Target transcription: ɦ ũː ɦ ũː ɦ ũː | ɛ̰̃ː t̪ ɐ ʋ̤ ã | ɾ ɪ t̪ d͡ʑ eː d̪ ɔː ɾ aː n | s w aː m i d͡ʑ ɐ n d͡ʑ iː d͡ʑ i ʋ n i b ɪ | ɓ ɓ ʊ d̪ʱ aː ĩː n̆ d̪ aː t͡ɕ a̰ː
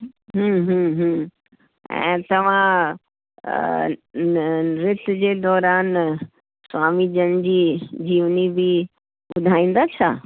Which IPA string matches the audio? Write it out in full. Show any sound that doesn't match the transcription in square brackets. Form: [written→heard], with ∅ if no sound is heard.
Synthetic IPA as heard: ɦ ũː ɦ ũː ɦ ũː | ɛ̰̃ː t̪ ɐ ʋ̤ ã | ɾ ɪ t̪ d͡ʑ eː d̪ ɔː ɾ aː n | s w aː m i d͡ʑ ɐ n d͡ʑ iː d͡ʑ [i→iː] ʋ n i b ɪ | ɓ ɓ ʊ d̪ʱ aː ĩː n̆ d̪ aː [t͡ɕ→t͡ɕʰ] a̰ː